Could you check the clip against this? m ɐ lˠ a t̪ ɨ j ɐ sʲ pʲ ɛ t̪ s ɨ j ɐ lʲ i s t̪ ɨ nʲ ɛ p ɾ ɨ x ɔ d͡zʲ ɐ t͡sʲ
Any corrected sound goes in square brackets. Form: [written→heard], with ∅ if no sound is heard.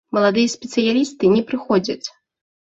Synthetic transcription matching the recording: m ɐ lˠ a [t̪→d̪] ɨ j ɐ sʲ pʲ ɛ t̪ s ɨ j [ɐ→a] lʲ i s t̪ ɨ nʲ ɛ p ɾ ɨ x ɔ d͡zʲ ɐ t͡sʲ